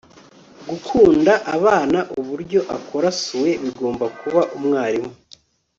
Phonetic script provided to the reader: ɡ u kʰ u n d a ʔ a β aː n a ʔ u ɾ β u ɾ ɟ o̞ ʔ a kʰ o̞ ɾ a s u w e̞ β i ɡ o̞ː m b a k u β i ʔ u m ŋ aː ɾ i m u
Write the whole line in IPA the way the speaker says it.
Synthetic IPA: ɡ u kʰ uː n d a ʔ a β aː n a ʔ u β u ɾ ɟ o̞ ʔ a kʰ o̞ ɾ a s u w e̞ β i ɡ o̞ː m b a k u β a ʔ u m ŋ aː ɾ i m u